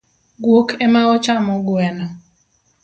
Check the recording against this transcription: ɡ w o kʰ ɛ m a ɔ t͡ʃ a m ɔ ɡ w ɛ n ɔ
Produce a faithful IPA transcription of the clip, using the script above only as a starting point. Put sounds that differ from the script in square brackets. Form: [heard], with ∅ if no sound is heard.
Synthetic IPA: ɡ w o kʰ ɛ m a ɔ t͡ʃ a m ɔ ɡ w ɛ n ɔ